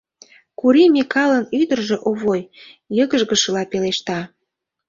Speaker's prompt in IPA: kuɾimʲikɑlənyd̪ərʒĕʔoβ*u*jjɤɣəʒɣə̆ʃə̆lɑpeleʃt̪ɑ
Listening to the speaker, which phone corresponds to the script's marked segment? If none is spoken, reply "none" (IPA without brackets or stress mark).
o